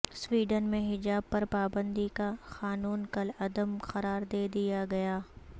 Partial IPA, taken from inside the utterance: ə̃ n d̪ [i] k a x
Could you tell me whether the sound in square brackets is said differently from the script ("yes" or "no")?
no